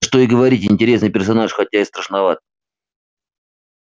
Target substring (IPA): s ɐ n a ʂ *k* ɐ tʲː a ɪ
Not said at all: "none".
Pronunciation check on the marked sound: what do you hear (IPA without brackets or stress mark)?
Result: x